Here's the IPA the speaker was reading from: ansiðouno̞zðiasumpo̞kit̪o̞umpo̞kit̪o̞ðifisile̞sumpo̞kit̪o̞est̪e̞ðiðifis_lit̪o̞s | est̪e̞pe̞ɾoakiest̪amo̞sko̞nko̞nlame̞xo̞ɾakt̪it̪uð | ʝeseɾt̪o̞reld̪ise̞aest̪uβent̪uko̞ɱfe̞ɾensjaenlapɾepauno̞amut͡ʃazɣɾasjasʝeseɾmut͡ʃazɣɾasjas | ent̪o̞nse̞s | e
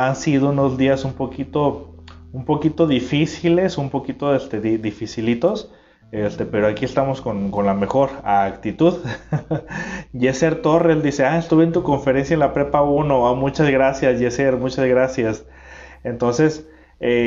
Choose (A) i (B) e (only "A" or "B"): A